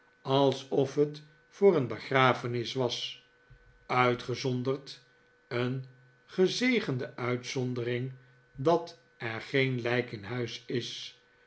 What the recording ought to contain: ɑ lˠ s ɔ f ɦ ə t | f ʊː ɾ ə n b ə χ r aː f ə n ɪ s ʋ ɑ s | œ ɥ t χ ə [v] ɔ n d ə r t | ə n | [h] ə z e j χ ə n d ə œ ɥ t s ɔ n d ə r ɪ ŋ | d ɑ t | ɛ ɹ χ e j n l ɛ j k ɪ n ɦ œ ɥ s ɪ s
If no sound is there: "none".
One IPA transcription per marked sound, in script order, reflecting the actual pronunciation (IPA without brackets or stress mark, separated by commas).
z, χ